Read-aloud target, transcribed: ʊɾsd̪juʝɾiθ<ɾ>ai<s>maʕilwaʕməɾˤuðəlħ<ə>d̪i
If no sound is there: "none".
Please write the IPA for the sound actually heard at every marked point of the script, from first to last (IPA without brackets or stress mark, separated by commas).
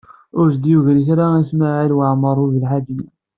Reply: ɾ, s, a